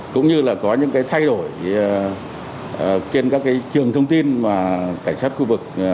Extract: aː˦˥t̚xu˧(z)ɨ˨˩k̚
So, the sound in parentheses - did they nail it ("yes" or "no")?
no